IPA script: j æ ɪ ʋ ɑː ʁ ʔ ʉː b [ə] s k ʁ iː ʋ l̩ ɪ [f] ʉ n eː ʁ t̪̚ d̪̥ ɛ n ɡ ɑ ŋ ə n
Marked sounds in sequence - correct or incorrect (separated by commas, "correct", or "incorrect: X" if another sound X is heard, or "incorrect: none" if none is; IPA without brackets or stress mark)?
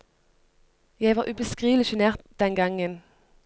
correct, incorrect: ʃ